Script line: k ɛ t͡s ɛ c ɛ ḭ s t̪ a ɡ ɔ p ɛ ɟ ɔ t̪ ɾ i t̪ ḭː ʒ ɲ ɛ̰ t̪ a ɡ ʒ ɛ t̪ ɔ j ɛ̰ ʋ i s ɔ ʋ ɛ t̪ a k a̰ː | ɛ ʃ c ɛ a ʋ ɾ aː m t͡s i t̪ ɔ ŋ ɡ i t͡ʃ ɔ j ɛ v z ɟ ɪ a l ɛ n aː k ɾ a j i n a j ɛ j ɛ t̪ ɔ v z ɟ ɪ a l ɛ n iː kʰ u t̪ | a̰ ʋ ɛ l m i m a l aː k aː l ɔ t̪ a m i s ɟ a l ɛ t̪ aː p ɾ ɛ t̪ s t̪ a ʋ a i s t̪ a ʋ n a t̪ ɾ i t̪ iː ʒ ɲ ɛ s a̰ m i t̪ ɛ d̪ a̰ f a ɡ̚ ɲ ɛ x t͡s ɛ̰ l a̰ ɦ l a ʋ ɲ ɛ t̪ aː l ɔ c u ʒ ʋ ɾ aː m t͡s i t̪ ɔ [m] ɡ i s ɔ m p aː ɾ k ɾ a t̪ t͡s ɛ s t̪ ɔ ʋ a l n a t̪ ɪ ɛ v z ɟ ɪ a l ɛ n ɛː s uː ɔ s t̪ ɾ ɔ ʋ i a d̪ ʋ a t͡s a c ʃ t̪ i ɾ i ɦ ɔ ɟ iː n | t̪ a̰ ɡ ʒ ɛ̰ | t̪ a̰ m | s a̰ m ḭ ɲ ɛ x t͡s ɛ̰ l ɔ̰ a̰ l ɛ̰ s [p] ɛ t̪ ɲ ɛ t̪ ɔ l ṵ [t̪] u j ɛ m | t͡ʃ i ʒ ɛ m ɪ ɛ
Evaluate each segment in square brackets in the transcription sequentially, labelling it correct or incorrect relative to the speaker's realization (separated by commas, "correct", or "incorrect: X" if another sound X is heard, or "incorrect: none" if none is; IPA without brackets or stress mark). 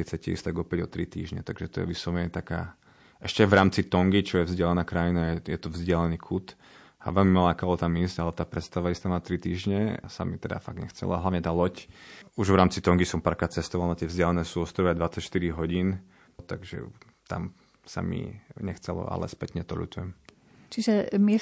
incorrect: ŋ, correct, correct